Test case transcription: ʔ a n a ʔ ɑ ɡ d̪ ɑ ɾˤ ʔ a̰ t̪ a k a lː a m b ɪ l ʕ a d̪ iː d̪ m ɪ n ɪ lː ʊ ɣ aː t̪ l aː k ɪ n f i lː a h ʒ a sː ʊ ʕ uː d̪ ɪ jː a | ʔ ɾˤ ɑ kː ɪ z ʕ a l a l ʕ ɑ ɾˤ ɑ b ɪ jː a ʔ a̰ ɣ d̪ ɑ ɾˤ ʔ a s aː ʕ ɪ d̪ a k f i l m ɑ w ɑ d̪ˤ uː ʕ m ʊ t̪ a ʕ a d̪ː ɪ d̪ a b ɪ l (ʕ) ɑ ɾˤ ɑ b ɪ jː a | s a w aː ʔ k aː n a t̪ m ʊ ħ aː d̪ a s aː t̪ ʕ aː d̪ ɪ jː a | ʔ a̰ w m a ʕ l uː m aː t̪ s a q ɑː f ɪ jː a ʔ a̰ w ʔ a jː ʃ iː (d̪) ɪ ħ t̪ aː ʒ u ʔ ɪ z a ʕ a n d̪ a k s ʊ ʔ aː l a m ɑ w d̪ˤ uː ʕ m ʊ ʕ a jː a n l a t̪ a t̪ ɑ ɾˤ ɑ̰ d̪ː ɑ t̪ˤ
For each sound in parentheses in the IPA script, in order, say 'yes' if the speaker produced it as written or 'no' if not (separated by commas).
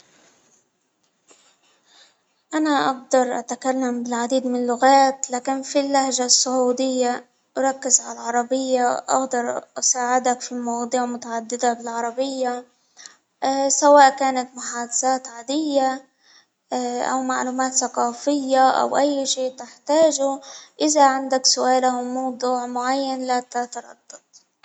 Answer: yes, no